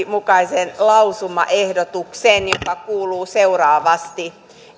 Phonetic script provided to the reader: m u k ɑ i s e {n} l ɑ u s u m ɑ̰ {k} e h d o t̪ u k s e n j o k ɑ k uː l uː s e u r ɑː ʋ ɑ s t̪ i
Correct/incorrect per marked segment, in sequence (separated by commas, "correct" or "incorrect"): correct, incorrect